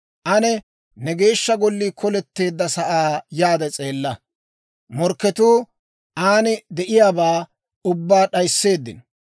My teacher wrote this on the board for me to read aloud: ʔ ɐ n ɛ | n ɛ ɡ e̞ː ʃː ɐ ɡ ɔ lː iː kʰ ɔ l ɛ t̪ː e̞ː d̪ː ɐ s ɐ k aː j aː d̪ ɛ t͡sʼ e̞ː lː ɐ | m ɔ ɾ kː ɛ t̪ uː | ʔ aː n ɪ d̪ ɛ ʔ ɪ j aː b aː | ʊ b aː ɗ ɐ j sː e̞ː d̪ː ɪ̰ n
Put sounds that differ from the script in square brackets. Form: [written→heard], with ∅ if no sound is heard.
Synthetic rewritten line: ʔ ɐ n ɛ | n ɛ ɡ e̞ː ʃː ɐ ɡ ɔ lː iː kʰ ɔ l ɛ t̪ː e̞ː d̪ː ɐ s ɐ [k→ʔ] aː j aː d̪ ɛ t͡sʼ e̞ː lː ɐ | m ɔ ɾ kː ɛ t̪ uː | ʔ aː n ɪ d̪ ɛ ʔ ɪ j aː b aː | ʊ [b→bː] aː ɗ ɐ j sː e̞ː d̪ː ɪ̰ n

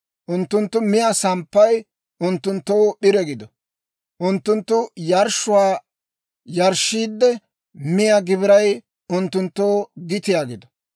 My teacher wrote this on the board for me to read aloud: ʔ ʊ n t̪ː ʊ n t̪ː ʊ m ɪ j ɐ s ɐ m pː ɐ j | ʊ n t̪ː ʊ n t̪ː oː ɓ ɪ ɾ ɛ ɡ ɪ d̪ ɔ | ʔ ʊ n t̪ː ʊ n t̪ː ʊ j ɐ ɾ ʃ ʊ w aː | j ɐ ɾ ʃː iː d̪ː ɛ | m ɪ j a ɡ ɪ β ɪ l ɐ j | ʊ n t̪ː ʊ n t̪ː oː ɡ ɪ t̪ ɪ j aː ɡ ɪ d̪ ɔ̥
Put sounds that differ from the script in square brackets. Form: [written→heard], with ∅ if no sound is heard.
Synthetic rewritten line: ʔ ʊ n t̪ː ʊ n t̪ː ʊ m ɪ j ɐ s ɐ m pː ɐ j | ʊ n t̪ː ʊ n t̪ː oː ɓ ɪ ɾ ɛ ɡ ɪ d̪ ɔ | ʔ ʊ n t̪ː ʊ n t̪ː ʊ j ɐ ɾ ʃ ʊ w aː | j ɐ ɾ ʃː iː d̪ː ɛ | m ɪ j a ɡ ɪ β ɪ [l→ɾ] ɐ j | ʊ n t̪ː ʊ n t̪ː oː ɡ ɪ t̪ ɪ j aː ɡ ɪ d̪ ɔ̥

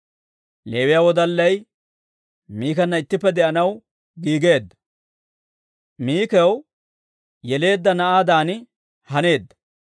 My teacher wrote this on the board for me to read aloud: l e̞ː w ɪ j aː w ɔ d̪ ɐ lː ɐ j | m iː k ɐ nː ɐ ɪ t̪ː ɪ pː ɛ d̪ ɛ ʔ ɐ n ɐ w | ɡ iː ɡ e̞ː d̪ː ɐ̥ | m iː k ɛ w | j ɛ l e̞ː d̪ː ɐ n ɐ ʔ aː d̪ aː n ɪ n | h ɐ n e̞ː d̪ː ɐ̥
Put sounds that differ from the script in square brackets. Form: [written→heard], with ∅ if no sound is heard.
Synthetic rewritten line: l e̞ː w ɪ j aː w ɔ d̪ ɐ lː ɐ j | m iː k ɐ nː ɐ ɪ t̪ː ɪ pː ɛ d̪ ɛ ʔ ɐ n ɐ w | ɡ iː ɡ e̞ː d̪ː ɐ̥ | m iː k ɛ w | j ɛ l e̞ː d̪ː ɐ n ɐ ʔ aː d̪ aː n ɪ [n→∅] | h ɐ n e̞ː d̪ː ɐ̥

